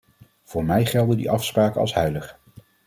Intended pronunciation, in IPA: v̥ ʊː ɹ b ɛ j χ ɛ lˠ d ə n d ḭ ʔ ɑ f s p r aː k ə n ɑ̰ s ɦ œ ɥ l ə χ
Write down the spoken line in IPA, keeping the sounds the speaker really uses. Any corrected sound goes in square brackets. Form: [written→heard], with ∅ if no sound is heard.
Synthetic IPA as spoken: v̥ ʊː ɹ [b→m] ɛ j χ ɛ lˠ d ə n d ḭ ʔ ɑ f s p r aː k ə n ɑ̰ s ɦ œ ɥ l ə χ